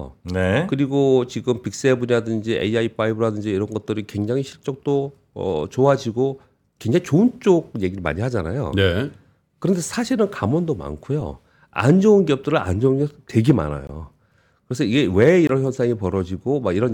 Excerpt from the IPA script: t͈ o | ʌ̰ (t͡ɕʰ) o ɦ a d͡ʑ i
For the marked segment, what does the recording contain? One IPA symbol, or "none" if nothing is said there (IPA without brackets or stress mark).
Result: t͡ɕ